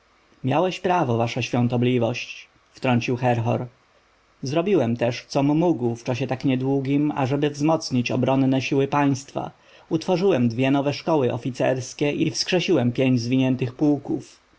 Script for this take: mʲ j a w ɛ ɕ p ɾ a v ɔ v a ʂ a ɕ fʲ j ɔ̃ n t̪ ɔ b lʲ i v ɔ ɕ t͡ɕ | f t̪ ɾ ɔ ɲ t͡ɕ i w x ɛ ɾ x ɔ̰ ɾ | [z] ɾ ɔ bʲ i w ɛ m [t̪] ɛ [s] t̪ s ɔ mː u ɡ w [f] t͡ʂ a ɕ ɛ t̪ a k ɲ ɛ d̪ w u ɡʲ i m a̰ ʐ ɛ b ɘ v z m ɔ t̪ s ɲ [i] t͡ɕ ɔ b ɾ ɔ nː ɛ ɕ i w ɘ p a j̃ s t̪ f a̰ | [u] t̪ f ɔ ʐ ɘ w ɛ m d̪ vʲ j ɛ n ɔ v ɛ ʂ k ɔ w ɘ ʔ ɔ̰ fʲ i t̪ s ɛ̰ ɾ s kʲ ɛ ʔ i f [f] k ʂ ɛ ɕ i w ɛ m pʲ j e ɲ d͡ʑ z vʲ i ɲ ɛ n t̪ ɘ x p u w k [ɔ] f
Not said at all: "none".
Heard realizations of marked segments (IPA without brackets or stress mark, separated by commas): z, t̪, ʂ, f, i, u, s, u